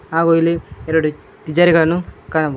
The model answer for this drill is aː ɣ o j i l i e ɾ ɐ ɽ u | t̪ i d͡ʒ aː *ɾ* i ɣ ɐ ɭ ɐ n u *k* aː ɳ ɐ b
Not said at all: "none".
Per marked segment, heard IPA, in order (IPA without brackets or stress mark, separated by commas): ɾ, k